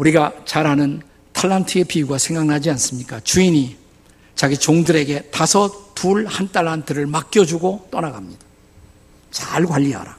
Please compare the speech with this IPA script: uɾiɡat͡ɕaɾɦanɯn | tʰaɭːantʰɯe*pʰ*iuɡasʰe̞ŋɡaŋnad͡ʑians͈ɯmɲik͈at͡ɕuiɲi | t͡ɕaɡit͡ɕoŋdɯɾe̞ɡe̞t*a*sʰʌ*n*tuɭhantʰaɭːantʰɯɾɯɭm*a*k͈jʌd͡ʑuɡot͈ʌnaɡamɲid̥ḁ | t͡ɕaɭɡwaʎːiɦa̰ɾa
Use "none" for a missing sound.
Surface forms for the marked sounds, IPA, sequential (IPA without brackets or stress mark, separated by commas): pʰ, a, none, a